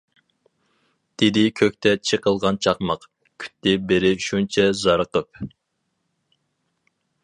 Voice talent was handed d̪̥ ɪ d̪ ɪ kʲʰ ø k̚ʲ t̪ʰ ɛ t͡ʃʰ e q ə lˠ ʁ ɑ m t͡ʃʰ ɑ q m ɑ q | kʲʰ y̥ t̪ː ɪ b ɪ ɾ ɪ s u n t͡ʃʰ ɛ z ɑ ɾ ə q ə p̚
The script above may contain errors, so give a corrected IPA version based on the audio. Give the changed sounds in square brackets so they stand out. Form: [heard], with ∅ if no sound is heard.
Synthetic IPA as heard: d̪̥ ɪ d̪ ɪ kʲʰ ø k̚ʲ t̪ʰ ɛ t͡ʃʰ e q ə lˠ ʁ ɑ [n] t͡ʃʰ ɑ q m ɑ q | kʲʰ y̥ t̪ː ɪ b ɪ ɾ ɪ [ʃ] u n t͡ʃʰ ɛ z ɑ ɾ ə q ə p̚